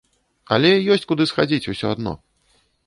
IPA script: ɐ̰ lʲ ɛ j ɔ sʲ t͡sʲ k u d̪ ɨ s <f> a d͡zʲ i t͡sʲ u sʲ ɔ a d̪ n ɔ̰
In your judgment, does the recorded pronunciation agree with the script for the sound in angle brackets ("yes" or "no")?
no